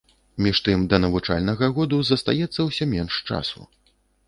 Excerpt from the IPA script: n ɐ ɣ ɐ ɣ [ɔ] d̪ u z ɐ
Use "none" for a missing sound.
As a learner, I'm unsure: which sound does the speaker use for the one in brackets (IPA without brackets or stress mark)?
ɔ